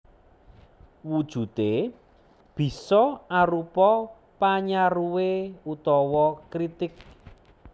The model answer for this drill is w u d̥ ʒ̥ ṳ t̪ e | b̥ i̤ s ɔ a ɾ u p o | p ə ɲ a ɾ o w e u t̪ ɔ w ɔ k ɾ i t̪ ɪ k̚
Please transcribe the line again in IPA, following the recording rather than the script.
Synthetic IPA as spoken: w u d̥ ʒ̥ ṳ t̪ e | b̥ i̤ s ɔ a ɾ u p ɔ | p a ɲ a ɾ u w e u t̪ ɔ w ɔ k ɾ i t̪ ɪ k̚